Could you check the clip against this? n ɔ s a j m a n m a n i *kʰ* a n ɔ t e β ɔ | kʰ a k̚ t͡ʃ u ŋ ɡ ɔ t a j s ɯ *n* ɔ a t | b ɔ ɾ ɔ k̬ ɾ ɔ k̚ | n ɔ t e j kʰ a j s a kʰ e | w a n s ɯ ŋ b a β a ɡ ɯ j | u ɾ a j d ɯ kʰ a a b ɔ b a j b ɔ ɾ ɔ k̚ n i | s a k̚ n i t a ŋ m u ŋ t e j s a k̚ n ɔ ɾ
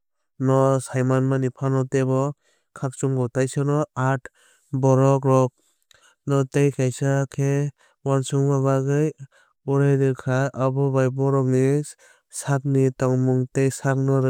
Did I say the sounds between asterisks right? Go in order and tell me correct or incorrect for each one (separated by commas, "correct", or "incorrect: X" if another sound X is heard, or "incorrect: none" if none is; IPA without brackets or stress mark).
incorrect: pʰ, correct